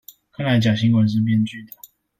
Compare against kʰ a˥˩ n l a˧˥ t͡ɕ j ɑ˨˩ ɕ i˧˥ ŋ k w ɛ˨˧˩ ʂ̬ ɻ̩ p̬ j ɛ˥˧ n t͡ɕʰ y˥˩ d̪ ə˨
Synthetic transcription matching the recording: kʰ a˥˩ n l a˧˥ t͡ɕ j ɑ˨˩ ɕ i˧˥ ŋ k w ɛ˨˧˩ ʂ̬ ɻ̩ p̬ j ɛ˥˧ n t͡ɕ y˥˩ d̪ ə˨